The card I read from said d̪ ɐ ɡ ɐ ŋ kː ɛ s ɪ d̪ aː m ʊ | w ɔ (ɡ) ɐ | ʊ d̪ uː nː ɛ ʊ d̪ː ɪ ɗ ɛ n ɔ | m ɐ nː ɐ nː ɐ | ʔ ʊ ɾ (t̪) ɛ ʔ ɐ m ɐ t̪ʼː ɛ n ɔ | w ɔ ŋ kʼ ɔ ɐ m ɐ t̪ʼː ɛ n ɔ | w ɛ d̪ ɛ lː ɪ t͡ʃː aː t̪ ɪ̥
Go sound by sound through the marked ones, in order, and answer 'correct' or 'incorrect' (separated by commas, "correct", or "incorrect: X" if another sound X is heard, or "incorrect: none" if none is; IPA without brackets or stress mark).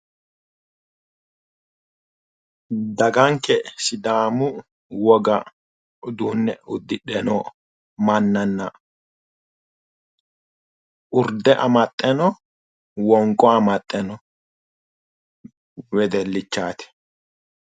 correct, incorrect: d̪